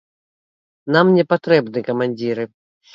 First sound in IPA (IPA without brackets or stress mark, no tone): n